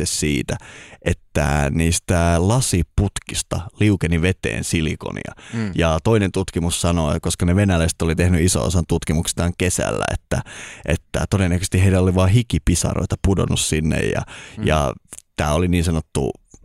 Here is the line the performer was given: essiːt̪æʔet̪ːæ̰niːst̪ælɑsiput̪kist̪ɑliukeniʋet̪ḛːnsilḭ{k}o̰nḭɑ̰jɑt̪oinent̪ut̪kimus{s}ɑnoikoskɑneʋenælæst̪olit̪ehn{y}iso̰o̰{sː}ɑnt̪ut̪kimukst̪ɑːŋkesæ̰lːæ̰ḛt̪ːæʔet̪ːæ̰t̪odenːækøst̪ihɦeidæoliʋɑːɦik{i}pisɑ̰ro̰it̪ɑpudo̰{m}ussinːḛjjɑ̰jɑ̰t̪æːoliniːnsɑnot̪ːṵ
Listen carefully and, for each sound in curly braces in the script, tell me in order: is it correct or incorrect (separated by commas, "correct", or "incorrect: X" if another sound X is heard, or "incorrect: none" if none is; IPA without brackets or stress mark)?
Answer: correct, correct, correct, incorrect: s, correct, incorrect: n